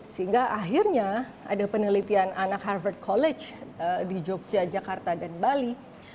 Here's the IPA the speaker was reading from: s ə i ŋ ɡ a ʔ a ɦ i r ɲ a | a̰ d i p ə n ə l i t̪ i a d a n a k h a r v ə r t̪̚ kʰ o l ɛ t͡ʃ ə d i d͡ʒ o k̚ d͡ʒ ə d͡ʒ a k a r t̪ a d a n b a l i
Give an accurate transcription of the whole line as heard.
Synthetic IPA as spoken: s ə i ŋ ɡ a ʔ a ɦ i r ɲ a | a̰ d a p ə n ə l i t̪ i a n a n a k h a r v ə r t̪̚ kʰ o l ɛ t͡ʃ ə d i d͡ʒ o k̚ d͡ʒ a d͡ʒ a k a r t̪ a d a n b a l i